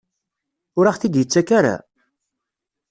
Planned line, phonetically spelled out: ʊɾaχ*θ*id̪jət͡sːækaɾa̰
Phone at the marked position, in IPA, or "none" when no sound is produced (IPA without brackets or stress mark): θ